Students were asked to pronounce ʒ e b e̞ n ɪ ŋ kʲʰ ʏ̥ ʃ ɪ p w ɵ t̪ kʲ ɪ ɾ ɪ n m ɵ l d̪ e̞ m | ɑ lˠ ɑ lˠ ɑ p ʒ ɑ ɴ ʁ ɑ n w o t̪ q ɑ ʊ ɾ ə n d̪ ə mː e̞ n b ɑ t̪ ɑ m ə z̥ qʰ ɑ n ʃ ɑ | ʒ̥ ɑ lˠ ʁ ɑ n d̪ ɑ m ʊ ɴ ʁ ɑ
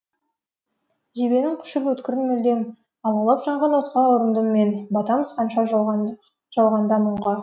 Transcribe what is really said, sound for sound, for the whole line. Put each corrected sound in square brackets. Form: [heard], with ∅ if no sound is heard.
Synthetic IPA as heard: ʒ e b e̞ n ɪ ŋ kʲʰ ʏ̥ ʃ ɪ p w ɵ t̪ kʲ ɪ ɾ ɪ n m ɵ l d̪ e̞ m | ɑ lˠ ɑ lˠ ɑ p ʒ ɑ ɴ ʁ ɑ n w o t̪ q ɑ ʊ ɾ ə n d̪ ə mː e̞ n b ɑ t̪ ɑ m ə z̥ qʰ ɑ n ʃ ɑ | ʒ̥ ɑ lˠ ʁ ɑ n d̪ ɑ m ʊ ɴ ʁ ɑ